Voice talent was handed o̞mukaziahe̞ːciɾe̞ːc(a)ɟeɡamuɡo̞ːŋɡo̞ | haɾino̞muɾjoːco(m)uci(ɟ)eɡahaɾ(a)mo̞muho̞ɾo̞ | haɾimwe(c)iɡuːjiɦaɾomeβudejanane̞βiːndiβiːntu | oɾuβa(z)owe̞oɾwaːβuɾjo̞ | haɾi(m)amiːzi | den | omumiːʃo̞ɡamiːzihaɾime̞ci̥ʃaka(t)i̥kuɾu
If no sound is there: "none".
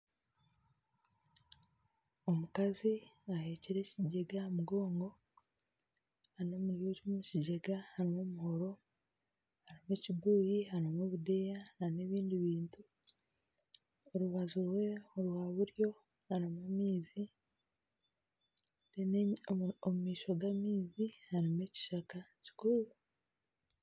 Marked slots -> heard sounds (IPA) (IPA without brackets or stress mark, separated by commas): i, m, ɟ, i, c, z, m, c